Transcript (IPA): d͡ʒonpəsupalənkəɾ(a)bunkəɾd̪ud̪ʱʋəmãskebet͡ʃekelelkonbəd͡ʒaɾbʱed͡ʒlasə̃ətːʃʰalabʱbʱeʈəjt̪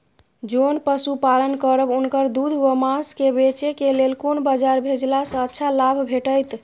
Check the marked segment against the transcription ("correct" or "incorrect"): incorrect